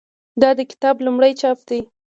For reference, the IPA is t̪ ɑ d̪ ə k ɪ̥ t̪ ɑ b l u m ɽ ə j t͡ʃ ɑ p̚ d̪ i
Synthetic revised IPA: d̪ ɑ d̪ ə k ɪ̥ t̪ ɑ b l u m ɽ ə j t͡ʃ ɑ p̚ d̪ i